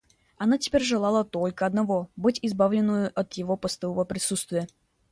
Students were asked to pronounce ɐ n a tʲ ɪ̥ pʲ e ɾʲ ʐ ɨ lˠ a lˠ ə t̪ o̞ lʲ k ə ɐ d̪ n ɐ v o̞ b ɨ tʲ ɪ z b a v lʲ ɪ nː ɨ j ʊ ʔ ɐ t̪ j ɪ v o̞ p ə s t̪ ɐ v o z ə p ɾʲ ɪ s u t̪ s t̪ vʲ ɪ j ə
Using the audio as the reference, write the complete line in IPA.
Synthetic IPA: ɐ n a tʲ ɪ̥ pʲ e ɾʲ ʐ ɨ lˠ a lˠ ə t̪ o̞ lʲ k ə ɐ d̪ n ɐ v o̞ b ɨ tʲ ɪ z b a v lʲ ɪ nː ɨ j ʊ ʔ ɐ t̪ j ɪ v o̞ p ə s t̪ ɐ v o v ə p ɾʲ ɪ s u t̪ s t̪ vʲ ɪ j ə